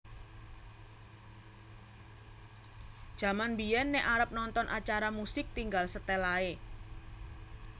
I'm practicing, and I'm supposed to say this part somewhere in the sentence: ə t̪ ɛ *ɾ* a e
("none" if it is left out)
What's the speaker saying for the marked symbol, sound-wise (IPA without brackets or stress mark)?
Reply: l